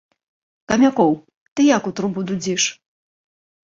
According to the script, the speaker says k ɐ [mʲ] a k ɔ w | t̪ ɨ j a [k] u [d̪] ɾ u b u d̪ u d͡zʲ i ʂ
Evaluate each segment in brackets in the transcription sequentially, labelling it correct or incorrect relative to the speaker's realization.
correct, correct, incorrect: t̪

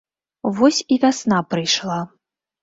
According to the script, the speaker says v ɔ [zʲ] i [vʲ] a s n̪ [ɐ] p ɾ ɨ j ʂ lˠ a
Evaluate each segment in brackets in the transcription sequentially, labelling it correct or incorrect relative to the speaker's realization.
incorrect: sʲ, correct, incorrect: a

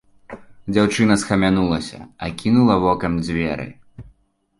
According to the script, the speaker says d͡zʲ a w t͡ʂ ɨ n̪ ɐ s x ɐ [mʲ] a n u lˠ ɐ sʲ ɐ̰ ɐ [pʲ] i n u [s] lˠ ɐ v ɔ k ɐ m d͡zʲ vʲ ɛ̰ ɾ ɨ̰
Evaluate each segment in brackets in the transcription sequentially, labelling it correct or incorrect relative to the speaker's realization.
correct, incorrect: kʲ, incorrect: none

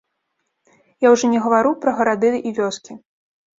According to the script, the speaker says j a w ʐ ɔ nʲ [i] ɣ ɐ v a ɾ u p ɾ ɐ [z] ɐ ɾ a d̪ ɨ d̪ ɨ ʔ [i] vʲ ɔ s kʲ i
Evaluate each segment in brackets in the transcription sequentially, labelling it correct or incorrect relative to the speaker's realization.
incorrect: ɛ, incorrect: ɣ, correct

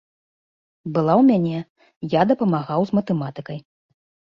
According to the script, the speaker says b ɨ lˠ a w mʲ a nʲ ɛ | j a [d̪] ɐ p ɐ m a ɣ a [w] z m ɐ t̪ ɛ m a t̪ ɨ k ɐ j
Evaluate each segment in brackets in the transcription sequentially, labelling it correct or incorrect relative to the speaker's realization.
correct, correct

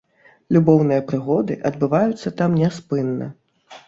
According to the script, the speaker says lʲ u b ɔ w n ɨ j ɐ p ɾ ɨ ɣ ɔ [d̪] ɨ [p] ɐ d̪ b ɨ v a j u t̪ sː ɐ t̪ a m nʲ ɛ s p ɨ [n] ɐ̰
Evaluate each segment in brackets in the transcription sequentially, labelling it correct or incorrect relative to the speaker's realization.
correct, incorrect: ʔ, incorrect: nː

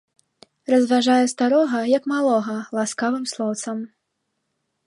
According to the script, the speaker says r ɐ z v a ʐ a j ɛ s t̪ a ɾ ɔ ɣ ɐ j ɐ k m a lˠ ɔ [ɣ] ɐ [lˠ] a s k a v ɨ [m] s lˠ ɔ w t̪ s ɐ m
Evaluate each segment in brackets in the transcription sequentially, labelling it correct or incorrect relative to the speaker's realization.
correct, correct, correct

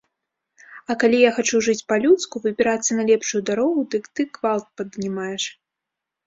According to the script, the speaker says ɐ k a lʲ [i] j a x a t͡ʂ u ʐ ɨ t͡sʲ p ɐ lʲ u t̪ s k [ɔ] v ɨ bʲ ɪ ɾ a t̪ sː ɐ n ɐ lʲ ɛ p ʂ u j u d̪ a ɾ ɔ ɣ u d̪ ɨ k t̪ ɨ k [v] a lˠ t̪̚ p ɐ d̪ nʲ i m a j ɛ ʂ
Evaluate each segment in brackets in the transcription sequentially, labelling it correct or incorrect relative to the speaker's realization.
correct, incorrect: u, correct

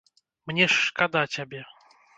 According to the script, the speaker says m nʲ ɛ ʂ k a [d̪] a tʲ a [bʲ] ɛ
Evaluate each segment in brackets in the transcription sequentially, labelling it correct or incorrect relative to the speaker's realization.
correct, correct

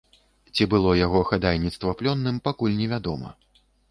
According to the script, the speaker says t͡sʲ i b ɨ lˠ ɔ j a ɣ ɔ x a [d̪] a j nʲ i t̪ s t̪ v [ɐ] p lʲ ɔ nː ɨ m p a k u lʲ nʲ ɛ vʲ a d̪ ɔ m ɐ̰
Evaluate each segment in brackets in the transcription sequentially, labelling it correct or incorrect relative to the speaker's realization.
correct, correct

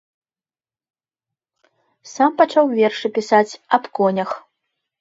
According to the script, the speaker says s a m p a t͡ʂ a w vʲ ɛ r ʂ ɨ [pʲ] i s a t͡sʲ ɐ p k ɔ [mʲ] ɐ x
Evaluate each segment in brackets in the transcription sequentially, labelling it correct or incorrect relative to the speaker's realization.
correct, incorrect: nʲ

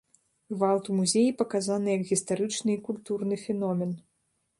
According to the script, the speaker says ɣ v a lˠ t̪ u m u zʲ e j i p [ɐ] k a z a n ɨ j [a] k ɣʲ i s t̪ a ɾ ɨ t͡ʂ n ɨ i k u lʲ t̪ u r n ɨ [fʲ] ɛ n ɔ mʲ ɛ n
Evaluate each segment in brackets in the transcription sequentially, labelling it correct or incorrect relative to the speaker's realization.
correct, incorrect: ɐ, correct

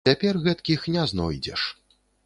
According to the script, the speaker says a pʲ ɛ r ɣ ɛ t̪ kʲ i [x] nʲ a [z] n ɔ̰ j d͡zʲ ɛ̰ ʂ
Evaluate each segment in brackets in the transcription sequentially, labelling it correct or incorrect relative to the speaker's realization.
correct, correct

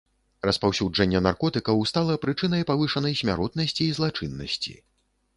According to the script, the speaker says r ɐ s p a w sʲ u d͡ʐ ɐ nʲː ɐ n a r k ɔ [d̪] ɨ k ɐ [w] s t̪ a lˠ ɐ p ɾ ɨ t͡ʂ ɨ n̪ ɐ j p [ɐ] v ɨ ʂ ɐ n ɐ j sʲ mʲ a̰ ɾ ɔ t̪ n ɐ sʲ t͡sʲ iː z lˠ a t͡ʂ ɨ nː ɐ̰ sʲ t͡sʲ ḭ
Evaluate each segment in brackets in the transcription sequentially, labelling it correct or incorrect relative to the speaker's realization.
incorrect: t̪, correct, incorrect: a

